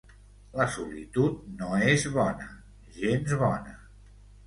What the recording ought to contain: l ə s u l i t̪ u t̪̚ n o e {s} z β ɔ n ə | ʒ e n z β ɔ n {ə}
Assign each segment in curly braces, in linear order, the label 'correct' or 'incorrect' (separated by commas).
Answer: incorrect, correct